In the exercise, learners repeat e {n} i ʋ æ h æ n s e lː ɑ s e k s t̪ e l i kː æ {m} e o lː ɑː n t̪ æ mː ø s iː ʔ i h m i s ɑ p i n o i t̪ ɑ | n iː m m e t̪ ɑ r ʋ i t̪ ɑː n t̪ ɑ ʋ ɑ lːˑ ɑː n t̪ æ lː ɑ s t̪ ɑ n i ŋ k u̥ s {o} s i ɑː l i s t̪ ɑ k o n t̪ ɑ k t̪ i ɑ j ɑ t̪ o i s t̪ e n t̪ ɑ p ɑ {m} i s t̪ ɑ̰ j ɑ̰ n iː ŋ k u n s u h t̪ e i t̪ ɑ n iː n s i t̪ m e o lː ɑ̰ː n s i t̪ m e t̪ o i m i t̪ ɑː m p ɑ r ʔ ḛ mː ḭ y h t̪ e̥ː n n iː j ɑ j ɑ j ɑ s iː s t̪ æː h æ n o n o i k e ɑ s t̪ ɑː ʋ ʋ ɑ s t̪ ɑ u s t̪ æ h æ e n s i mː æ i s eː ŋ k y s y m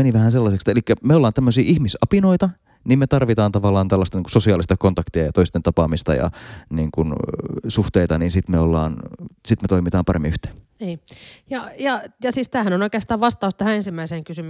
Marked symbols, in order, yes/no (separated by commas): yes, yes, yes, yes